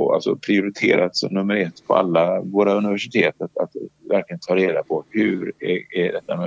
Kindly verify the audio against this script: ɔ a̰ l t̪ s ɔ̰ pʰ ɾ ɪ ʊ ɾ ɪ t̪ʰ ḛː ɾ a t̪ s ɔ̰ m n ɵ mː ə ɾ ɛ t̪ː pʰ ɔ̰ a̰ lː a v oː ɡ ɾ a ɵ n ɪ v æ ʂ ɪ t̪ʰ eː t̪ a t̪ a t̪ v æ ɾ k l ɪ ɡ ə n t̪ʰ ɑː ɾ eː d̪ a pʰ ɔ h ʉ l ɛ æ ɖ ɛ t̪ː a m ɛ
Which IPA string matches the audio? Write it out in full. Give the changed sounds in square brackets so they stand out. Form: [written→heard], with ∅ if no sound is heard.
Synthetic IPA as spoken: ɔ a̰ l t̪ s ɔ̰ pʰ ɾ ɪ ʊ ɾ ɪ t̪ʰ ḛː ɾ a t̪ s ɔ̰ m n ɵ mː ə ɾ ɛ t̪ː pʰ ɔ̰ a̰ lː a v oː [ɡ→∅] ɾ a ɵ n ɪ v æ ʂ ɪ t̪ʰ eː t̪ a t̪ a t̪ v æ ɾ k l ɪ ɡ ə n t̪ʰ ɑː ɾ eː d̪ a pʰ ɔ h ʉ [l→ɾ] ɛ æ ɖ ɛ t̪ː a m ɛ